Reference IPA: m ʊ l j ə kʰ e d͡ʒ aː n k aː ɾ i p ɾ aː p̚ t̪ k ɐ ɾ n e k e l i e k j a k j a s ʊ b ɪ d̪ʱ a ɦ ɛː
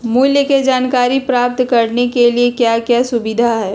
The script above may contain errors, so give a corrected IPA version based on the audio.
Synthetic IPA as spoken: m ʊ l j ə k e d͡ʒ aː n k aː ɾ i p ɾ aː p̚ t̪ k ɐ ɾ n e k e l i e k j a k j a s ʊ b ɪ d̪ʱ a ɦ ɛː

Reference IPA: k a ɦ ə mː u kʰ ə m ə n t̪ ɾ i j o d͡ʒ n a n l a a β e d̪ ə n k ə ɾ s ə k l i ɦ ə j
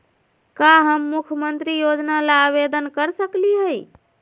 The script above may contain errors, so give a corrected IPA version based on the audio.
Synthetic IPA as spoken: k a ɦ ə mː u kʰ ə m ə n t̪ ɾ i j o d͡ʒ n a l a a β e d̪ ə n k ə ɾ s ə k l i ɦ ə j

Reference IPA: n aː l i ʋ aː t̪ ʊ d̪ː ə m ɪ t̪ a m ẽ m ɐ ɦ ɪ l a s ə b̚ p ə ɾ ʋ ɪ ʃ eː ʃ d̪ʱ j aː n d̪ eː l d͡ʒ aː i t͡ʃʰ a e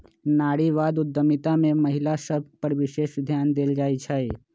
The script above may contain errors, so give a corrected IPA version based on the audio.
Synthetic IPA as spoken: n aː ɽ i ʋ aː d̪ ʊ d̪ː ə m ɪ t̪ a m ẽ m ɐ ɦ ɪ l a s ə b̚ p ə ɾ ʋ ɪ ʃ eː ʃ d̪ʱ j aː n d̪ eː l d͡ʒ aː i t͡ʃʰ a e

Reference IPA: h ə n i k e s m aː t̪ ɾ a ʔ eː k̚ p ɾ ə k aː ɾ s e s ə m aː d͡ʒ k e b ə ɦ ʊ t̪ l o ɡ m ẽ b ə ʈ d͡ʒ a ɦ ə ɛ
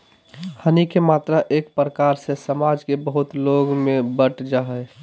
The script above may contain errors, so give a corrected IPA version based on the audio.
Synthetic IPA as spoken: h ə n i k e m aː t̪ ɾ a ʔ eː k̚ p ɾ ə k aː ɾ s e s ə m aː d͡ʒ k e b ə ɦ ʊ t̪ l o ɡ m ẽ b ə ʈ d͡ʒ a ɦ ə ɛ

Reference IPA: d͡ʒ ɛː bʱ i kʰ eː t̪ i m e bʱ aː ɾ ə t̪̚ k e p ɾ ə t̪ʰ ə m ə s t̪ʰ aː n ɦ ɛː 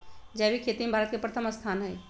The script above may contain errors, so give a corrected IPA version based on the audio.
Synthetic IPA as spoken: d͡ʒ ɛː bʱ i kʰ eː t̪ i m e bʱ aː ɾ ə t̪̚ k e p ɾ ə t̪ʰ ə m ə s t̪ʰ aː n ɦ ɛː

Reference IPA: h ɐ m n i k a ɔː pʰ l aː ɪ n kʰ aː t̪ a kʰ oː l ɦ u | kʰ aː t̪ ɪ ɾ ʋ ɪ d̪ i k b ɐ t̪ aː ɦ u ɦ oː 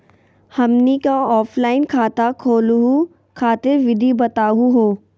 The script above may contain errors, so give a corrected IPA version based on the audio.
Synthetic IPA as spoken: h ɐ m n i k a ɔː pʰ l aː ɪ n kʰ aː t̪ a kʰ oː l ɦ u | kʰ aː t̪ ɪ ɾ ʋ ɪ d̪ i b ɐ t̪ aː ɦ u ɦ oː

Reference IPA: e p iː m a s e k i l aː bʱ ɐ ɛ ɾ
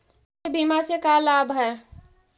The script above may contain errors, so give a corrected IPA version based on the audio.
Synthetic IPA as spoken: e b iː m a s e k a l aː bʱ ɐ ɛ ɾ

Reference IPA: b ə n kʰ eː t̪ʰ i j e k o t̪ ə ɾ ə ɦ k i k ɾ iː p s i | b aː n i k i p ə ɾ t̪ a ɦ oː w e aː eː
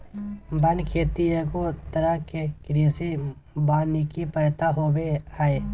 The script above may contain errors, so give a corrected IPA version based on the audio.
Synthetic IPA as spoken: b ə n kʰ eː t̪ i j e k o t̪ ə ɾ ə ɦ k e k ɾ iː s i | b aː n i k i p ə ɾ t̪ a ɦ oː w e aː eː

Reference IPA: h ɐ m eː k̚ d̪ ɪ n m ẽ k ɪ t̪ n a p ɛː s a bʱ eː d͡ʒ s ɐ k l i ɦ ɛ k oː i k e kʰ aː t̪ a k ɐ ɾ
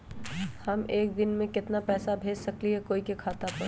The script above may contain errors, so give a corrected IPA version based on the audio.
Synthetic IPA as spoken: h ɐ m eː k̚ d̪ ɪ n m ẽ k ɪ t̪ n a p ɛː s a bʱ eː d͡ʒ s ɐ k l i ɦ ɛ k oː i k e kʰ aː t̪ a p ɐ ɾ

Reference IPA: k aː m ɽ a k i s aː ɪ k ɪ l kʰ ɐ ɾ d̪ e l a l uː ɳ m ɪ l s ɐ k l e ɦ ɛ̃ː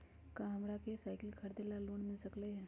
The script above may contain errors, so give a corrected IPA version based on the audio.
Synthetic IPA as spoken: k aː m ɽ a k e s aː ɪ k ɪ l kʰ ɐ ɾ d̪ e l a l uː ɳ m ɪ l s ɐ k l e ɦ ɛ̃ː

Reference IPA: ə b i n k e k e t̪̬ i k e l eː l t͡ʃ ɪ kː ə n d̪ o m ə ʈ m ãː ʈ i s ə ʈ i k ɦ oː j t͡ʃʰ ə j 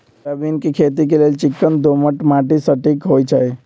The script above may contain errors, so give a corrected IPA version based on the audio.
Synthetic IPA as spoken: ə b i n k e kʰ e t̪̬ i k e l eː l t͡ʃ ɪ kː ə n d̪ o m ə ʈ m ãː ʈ i s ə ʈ i k ɦ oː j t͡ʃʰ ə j

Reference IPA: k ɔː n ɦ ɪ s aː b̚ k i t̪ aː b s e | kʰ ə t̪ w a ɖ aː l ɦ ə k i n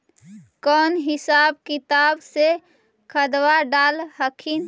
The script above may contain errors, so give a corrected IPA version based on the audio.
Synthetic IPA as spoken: k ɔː n ɦ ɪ s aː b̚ k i t̪ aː b s e | kʰ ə d̪ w a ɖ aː l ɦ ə kʰ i n

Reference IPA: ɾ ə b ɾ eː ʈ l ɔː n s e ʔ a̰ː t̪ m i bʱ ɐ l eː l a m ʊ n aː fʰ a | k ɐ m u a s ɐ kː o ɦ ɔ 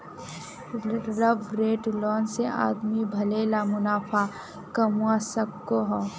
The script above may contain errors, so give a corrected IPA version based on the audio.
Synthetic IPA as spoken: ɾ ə b ɾ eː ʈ l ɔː n s e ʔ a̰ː d̪ m i bʱ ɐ l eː l a m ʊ n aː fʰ a | k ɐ m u a s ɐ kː o ɦ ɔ

